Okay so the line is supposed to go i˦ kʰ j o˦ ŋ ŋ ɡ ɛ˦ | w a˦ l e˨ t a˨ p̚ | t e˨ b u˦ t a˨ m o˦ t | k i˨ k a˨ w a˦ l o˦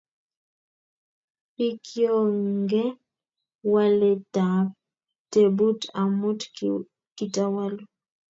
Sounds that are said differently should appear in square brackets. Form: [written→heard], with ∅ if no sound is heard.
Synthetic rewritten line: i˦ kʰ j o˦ ŋ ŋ ɡ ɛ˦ | w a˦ l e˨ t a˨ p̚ | t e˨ b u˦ t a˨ m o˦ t | k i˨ [k→t] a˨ w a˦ l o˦